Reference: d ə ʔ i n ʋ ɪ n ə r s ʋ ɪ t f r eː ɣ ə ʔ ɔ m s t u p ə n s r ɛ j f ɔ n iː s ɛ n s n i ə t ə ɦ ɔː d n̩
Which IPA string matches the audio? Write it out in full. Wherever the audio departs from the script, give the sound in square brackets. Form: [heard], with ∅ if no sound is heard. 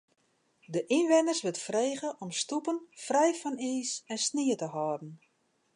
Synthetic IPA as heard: d ə ʔ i n ʋ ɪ n ə r s ʋ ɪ t f r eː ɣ ə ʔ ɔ m s t u p ə n [f] r ɛ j f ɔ n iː s ɛ n s n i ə t ə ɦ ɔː d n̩